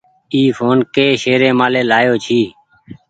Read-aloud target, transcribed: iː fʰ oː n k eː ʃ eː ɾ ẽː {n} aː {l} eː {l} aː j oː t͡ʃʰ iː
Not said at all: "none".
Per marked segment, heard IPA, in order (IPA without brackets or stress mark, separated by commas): m, l, l